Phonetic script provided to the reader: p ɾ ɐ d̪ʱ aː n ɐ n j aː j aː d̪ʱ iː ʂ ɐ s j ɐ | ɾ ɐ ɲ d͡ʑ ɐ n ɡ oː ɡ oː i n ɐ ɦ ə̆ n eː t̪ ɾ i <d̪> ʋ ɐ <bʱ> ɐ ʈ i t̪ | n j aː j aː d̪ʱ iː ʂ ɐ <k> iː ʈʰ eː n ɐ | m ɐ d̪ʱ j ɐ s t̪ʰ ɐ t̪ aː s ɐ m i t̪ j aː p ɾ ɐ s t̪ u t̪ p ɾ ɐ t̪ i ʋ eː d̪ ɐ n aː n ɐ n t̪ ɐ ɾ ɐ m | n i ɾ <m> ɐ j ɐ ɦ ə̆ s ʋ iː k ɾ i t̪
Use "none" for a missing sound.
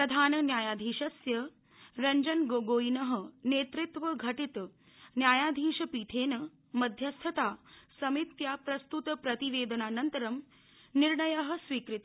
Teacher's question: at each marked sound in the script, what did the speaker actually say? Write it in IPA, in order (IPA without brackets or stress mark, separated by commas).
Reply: t̪, ɡʱ, p, ɳ